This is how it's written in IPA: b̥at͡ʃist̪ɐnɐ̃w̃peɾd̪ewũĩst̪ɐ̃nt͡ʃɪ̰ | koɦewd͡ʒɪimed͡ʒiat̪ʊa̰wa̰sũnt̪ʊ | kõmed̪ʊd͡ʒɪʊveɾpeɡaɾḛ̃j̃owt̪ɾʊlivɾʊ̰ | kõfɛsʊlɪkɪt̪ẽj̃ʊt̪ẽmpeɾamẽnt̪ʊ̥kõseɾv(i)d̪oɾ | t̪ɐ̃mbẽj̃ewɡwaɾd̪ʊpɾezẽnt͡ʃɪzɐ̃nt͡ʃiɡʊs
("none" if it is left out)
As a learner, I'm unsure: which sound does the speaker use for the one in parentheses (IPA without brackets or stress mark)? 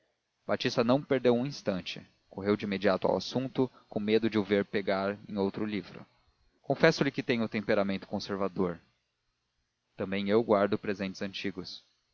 a